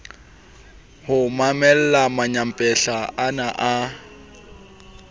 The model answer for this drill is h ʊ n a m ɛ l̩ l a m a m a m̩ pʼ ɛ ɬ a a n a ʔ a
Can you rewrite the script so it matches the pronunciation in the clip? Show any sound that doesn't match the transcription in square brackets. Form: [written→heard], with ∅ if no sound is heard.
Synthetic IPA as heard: h ʊ [n→m] a m ɛ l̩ l a m a [m→ɲ] a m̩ pʼ ɛ ɬ a a n a ʔ a